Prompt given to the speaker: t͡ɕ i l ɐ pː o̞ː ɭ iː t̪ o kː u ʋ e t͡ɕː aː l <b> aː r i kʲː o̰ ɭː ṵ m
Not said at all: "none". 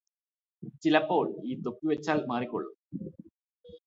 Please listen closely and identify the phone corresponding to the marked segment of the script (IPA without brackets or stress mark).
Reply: m